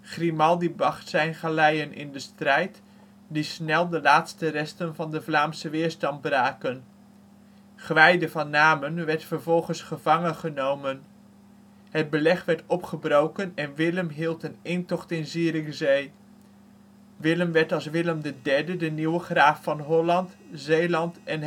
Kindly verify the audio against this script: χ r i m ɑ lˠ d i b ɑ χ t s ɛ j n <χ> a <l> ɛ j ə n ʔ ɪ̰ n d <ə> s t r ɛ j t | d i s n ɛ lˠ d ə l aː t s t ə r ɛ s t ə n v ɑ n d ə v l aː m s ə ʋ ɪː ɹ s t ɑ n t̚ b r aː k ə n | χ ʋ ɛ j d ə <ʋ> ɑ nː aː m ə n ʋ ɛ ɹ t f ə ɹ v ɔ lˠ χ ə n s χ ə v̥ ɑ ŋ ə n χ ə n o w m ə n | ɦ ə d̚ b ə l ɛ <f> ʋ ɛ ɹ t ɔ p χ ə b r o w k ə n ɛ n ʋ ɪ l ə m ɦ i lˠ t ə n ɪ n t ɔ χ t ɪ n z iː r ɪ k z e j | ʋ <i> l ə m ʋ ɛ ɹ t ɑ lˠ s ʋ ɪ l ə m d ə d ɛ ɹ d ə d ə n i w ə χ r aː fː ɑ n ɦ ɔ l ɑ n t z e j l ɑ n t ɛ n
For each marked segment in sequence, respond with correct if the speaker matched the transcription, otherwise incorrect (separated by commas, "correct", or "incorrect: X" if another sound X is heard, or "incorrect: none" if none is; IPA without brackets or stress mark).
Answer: correct, correct, correct, incorrect: v, incorrect: χ, incorrect: ɪ